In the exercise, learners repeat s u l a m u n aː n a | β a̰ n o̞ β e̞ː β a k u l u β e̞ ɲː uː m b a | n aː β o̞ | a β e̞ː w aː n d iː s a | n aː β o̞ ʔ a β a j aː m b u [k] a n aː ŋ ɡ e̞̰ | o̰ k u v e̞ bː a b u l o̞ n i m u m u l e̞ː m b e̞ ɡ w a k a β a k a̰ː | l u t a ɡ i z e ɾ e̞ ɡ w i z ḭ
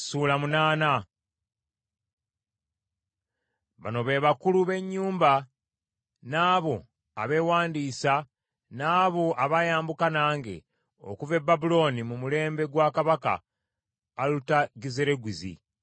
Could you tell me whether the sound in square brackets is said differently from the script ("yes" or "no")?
no